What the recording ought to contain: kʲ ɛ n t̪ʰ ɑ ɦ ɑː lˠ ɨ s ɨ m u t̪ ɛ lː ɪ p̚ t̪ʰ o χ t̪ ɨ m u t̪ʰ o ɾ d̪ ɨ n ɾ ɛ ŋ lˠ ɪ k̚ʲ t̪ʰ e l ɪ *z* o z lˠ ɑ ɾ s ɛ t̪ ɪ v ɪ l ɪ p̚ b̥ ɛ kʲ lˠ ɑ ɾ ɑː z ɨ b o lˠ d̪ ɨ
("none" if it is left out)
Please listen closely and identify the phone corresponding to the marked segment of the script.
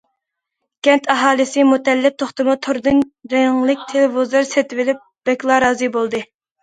v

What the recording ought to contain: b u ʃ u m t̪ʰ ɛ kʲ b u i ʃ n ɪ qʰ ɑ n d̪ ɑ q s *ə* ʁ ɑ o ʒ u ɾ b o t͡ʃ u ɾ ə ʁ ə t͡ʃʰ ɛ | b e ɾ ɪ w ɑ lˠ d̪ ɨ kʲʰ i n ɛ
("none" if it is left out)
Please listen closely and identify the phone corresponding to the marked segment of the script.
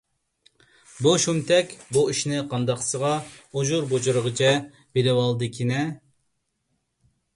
ə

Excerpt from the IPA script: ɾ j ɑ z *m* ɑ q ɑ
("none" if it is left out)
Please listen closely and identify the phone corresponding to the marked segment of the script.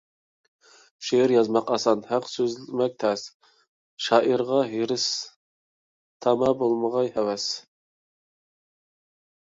m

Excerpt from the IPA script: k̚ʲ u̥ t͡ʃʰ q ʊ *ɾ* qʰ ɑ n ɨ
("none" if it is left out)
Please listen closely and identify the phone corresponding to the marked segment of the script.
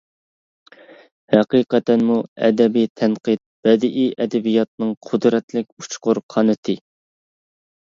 ɾ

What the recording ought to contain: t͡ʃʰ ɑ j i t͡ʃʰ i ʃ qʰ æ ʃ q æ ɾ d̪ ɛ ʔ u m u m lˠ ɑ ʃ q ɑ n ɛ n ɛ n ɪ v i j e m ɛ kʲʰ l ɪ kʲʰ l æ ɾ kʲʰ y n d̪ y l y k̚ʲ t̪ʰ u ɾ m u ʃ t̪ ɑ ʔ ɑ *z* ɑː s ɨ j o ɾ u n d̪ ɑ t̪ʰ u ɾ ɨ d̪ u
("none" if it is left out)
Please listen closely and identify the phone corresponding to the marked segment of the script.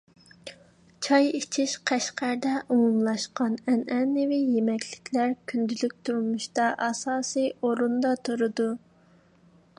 s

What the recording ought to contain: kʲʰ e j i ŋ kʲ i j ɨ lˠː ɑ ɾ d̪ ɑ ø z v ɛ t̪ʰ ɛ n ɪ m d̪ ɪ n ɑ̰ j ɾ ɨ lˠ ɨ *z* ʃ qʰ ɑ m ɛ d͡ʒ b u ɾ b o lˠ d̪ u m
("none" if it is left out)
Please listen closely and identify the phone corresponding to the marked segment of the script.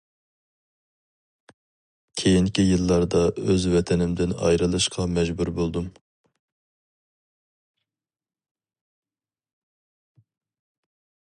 none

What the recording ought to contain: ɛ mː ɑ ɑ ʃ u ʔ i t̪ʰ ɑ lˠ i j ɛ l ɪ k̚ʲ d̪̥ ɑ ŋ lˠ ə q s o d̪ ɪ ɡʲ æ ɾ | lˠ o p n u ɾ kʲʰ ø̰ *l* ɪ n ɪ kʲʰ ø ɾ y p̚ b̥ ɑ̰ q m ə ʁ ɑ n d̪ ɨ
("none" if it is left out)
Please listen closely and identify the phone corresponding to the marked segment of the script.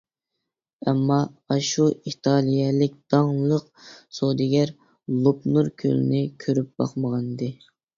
l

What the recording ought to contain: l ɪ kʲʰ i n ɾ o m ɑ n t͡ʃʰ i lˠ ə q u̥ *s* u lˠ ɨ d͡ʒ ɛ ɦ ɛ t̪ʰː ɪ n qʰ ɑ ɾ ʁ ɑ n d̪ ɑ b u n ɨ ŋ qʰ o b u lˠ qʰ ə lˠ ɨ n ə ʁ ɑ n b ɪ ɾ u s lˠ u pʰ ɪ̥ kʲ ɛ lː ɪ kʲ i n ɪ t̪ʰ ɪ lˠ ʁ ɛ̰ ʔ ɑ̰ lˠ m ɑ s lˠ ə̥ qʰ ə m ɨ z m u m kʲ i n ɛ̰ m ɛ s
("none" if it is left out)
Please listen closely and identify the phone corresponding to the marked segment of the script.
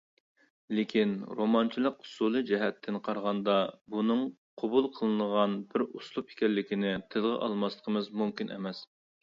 s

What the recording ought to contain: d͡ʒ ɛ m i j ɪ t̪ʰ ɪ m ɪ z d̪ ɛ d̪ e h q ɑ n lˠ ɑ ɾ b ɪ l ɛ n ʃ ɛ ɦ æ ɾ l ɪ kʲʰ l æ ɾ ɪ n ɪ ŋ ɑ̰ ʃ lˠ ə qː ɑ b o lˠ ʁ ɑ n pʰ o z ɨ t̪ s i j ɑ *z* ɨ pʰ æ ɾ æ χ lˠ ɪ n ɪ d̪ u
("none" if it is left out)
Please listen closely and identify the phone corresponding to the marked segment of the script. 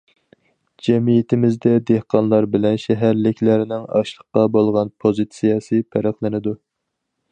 s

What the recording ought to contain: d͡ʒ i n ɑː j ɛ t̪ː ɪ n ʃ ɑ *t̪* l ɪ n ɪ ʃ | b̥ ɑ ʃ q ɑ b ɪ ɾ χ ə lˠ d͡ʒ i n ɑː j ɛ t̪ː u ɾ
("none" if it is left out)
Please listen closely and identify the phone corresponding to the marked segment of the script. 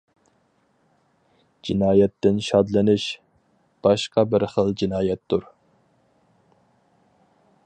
d̪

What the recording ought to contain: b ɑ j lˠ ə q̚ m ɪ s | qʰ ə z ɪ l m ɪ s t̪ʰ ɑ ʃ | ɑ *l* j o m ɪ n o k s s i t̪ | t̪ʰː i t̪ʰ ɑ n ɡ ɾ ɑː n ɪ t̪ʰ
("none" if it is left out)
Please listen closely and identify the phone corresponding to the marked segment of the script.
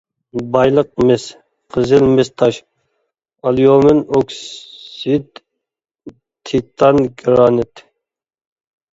l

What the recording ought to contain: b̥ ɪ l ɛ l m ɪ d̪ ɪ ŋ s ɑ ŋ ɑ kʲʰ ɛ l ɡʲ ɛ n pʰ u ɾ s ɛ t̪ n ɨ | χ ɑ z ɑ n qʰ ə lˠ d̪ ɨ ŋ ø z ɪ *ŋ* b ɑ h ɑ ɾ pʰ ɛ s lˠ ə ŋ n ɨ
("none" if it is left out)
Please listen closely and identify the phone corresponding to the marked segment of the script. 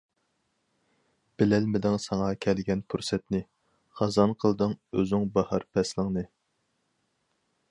ŋ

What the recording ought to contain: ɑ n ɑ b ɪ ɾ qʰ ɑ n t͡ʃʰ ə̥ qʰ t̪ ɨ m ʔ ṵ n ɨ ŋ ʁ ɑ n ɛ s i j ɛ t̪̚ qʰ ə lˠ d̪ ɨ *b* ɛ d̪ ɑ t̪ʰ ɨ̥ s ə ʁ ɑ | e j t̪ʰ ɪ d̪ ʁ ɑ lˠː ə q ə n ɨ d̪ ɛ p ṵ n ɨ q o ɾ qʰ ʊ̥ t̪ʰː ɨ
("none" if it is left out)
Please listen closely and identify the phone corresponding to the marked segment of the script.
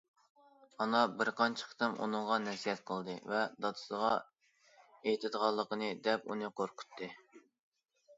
v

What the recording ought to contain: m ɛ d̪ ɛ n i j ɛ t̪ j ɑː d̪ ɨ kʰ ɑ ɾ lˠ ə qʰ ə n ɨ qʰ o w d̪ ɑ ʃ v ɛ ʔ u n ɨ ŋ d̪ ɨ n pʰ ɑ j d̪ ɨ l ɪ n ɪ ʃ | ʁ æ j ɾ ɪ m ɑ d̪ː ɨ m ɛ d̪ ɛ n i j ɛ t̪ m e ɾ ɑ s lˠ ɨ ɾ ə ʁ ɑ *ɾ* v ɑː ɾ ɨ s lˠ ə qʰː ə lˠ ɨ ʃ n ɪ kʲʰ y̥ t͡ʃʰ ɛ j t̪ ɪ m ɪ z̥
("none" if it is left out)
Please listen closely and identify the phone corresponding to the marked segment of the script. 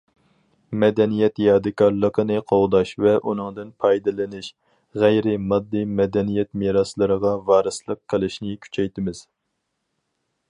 none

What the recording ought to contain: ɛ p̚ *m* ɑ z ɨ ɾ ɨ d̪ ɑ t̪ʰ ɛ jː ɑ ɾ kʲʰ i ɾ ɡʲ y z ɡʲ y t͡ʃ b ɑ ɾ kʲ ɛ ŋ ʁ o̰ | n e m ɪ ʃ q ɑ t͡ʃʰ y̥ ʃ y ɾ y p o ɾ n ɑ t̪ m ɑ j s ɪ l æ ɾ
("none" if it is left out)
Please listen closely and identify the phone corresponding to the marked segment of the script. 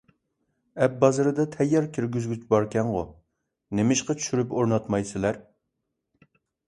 b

